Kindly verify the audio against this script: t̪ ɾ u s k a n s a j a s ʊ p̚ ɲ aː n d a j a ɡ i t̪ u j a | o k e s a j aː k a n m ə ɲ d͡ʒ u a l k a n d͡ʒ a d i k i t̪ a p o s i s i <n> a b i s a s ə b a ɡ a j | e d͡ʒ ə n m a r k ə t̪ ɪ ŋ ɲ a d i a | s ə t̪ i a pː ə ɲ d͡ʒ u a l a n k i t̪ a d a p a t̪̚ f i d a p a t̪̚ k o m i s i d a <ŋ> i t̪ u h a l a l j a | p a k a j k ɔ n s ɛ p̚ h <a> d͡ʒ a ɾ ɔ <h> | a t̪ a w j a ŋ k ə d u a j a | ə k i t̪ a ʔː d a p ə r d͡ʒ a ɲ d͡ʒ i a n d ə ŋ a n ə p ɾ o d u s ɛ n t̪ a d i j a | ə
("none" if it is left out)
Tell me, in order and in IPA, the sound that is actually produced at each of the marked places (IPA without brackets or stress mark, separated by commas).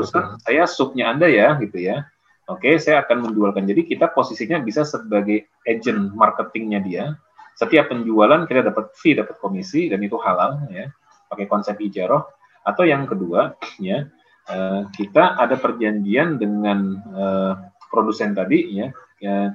ɲ, n, i, h